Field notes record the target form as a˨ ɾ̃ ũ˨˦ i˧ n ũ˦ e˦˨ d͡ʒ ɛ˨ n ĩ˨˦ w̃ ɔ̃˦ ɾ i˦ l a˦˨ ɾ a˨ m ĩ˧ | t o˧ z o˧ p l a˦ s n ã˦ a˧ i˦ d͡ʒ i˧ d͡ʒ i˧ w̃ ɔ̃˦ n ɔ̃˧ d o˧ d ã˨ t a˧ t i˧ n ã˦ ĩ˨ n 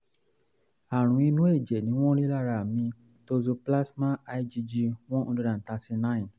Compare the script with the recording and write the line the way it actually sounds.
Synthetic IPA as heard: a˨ ɾ̃ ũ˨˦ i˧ n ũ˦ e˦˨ d͡ʒ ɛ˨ n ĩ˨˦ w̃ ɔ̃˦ ɾ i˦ l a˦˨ ɾ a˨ m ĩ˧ | t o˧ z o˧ p l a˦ s m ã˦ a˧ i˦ d͡ʒ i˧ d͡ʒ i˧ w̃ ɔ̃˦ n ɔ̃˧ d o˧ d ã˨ t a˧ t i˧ n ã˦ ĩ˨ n